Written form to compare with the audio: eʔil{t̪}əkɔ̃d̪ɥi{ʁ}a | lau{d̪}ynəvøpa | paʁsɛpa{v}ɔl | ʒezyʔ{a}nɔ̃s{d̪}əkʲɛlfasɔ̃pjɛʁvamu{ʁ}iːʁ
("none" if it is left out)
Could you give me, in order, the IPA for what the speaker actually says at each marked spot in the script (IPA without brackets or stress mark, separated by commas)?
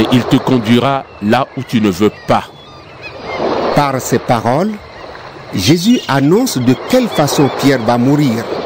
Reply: t̪, ʁ, t̪, ʁ, a, d̪, ʁ